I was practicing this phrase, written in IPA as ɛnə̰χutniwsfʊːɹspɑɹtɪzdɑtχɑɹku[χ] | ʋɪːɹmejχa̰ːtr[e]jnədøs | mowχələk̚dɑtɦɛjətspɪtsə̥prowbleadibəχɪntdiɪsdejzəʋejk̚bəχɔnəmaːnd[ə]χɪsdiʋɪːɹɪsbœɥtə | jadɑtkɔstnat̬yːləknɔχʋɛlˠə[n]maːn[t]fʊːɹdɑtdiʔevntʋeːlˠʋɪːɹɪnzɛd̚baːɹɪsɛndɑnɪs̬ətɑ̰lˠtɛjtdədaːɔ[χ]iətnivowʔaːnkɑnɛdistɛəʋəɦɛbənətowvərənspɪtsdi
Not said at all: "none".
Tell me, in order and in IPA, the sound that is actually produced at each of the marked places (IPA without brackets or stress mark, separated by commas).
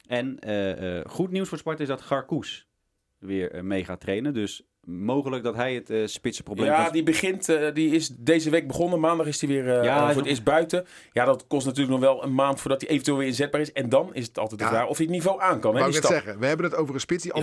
s, e, ɑ, n, t, f